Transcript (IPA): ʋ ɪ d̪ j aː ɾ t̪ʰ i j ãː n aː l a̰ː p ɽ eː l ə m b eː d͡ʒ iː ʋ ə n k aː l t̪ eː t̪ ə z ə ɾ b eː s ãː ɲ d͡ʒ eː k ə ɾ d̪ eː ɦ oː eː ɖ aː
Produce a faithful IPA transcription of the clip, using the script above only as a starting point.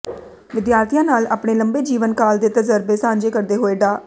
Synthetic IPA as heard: ʋ ɪ d̪ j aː ɾ t̪ʰ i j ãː n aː l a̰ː p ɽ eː l ə m b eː d͡ʒ iː ʋ ə n k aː l d̪ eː t̪ ə z ə ɾ b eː s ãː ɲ d͡ʒ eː k ə ɾ d̪ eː ɦ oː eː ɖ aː